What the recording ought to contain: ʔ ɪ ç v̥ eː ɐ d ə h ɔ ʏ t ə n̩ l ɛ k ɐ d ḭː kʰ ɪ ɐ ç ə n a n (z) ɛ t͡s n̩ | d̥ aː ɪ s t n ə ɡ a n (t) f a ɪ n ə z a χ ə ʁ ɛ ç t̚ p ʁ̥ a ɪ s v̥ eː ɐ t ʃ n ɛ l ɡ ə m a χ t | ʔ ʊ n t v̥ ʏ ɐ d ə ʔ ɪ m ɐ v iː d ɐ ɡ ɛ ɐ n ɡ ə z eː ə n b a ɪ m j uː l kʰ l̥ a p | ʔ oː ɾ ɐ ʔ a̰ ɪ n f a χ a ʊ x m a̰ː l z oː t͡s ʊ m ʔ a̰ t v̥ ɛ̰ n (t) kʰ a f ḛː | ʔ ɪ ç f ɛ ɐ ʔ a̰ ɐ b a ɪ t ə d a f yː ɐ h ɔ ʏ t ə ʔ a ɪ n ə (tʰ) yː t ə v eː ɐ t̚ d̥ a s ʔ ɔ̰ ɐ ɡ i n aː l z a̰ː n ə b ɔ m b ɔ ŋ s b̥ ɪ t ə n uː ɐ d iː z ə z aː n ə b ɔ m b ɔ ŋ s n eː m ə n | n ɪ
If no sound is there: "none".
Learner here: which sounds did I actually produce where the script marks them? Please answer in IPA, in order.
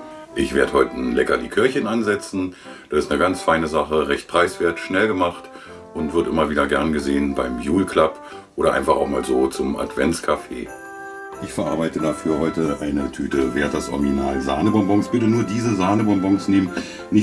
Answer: z, t͡s, t͡s, tʰ

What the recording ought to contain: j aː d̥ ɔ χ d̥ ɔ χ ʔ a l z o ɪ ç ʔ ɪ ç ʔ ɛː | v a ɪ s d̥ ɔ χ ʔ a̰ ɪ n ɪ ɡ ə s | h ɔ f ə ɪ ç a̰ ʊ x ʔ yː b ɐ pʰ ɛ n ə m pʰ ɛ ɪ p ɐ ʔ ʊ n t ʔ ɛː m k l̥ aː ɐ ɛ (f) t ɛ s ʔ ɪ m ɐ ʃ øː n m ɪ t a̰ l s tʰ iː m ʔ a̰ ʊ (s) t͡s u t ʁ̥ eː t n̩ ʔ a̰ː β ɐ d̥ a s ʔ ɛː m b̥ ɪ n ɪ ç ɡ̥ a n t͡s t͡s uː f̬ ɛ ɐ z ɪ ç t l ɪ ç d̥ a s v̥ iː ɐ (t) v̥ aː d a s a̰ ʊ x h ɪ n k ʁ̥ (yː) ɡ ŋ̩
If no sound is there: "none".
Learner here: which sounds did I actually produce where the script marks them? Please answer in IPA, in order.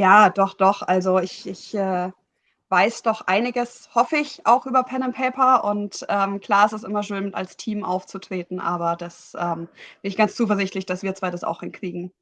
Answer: s, f, t͡s, iː

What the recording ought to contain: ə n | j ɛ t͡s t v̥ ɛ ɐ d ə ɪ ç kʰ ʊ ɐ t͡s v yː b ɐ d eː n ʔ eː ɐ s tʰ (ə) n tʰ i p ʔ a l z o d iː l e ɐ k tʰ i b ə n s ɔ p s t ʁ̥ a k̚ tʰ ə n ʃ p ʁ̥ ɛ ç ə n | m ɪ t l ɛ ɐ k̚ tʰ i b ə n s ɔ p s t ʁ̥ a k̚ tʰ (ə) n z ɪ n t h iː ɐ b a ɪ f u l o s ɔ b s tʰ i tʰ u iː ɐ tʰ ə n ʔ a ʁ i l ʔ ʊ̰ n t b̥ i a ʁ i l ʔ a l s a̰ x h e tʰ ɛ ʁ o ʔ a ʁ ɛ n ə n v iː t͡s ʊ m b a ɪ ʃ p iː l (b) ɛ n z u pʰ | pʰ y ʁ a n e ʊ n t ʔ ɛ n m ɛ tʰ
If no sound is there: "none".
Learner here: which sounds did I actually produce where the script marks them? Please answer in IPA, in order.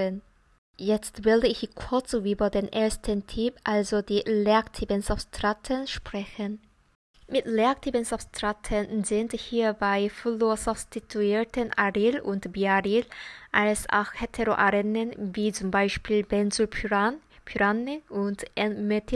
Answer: ə, ə, b

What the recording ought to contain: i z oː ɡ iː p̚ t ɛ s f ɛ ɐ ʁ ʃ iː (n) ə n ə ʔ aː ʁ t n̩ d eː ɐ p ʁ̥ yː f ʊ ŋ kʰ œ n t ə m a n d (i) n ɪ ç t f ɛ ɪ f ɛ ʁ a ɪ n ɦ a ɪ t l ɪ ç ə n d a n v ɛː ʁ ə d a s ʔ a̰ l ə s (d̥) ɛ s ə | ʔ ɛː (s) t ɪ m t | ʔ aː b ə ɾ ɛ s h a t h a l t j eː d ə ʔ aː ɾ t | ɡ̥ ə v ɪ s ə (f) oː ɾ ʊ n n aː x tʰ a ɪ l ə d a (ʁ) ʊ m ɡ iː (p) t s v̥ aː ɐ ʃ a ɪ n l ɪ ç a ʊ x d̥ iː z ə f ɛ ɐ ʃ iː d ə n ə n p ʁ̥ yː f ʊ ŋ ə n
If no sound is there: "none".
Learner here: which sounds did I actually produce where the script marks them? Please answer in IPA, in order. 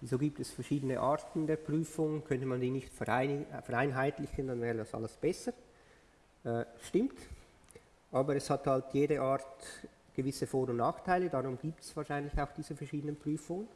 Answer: d, iː, b̥, ʃ, f, ʁ, p

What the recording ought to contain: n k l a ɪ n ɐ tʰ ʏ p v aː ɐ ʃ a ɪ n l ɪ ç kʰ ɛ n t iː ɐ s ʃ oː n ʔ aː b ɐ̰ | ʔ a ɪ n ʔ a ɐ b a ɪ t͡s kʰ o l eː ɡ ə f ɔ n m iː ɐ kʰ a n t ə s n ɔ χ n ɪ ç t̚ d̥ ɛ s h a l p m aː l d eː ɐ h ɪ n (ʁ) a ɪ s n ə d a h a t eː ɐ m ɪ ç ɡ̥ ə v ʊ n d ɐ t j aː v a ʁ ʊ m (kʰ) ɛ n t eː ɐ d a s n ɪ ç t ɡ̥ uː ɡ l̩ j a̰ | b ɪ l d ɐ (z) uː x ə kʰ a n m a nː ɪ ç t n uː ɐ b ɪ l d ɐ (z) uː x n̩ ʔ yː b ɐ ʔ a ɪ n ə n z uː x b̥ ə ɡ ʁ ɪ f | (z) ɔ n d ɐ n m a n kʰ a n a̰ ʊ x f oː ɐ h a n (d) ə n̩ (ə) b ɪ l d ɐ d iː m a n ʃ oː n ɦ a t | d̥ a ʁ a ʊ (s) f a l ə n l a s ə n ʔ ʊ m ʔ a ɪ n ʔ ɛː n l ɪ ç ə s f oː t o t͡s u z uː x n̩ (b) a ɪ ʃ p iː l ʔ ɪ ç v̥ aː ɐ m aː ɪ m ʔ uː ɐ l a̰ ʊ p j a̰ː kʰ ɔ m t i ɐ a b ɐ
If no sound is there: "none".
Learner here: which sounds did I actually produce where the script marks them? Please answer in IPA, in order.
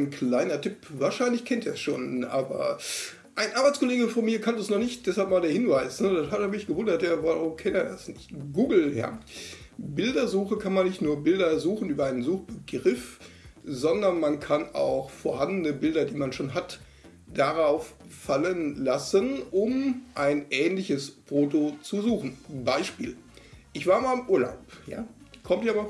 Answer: v, kʰ, z, z, z, d, ə, f, b

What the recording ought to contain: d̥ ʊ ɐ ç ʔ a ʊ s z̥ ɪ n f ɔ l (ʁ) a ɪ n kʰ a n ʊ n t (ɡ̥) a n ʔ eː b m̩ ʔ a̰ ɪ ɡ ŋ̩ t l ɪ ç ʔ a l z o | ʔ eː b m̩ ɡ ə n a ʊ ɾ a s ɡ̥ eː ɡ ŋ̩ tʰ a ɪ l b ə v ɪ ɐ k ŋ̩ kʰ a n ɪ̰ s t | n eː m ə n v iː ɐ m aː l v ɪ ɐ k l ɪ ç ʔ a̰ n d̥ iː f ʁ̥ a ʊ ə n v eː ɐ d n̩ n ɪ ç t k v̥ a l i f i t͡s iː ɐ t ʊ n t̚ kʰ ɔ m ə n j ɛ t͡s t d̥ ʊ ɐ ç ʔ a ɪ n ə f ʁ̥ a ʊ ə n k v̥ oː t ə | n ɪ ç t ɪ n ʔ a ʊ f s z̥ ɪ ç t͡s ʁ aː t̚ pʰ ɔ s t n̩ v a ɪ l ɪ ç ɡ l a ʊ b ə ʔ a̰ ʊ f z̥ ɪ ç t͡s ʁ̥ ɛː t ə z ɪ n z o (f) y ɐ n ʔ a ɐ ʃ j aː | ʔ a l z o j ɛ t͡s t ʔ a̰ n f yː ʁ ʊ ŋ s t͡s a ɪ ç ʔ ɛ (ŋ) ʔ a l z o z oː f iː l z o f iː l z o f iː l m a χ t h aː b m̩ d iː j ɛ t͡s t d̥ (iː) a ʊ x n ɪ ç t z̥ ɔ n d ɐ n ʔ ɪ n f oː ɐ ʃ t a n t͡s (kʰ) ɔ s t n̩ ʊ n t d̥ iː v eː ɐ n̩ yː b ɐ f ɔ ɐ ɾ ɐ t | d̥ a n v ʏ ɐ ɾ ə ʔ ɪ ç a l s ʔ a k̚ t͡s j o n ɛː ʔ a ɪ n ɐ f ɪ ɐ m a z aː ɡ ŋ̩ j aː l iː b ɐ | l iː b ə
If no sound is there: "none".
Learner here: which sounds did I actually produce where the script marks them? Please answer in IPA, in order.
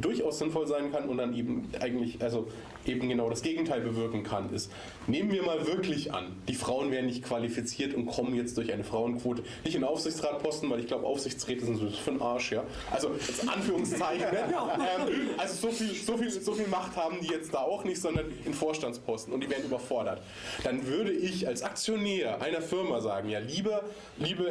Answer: z, d̥, f, m, aː, pʰ

